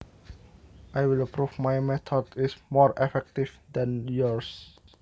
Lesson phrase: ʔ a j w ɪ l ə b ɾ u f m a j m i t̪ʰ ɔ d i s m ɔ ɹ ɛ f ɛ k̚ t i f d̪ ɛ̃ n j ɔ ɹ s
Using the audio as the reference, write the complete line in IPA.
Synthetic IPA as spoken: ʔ a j w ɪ l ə p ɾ u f m a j m ɛ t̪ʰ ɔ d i s m ɔ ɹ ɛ f ɛ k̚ t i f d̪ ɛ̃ n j ɔ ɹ s